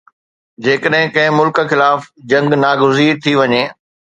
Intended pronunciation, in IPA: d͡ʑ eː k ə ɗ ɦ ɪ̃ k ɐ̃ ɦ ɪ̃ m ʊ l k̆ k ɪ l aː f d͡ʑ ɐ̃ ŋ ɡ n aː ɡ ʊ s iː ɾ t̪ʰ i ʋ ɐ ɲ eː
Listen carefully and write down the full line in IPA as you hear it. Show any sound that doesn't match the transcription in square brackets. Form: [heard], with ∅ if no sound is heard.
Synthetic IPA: d͡ʑ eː k ə ɗ ɦ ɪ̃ k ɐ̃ ɦ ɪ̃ m ʊ l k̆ [x] ɪ l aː f d͡ʑ ɐ̃ ŋ ɡ n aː ɡ ʊ [z] iː ɾ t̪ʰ i ʋ ɐ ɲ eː